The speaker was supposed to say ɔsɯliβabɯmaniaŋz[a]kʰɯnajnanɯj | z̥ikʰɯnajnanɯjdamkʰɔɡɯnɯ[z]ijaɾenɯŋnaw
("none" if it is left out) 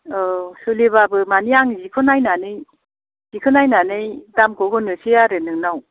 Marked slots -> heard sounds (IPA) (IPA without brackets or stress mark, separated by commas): i, s